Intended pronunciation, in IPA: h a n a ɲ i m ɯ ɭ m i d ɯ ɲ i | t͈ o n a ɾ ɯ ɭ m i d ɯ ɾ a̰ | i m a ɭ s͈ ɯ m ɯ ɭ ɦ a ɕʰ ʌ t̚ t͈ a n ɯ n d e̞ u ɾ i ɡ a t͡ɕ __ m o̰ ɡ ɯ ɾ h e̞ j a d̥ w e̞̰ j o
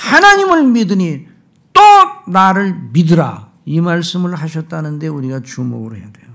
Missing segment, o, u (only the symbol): u